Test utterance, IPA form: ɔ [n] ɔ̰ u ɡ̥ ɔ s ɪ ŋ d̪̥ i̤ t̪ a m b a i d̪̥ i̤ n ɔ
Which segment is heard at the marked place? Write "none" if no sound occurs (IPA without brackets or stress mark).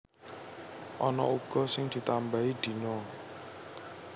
n